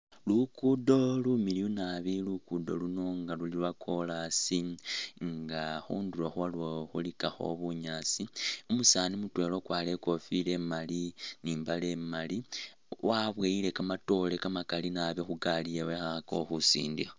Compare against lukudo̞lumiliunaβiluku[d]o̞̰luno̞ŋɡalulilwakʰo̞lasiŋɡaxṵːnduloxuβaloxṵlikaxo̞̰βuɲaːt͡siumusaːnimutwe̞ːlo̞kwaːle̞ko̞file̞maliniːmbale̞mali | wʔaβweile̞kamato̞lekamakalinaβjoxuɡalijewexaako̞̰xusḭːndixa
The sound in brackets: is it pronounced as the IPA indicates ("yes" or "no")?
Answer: yes